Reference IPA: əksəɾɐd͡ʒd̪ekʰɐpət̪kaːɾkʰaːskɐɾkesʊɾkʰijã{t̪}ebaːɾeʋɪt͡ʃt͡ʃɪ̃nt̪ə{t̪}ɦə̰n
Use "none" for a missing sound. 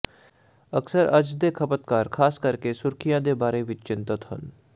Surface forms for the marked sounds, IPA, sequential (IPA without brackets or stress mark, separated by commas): d̪, t̪